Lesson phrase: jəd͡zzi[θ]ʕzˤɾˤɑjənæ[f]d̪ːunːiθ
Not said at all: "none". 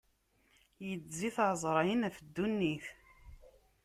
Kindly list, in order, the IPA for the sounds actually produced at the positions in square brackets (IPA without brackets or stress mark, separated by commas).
θ, f